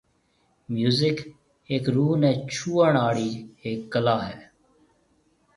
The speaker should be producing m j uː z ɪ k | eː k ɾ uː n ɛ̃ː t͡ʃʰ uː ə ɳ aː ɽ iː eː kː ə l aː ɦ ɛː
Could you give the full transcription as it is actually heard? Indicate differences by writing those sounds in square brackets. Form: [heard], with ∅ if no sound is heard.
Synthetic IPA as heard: m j uː z ɪ k | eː k ɾ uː n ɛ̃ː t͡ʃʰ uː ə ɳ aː ɽ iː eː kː ə l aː ɦ ɛː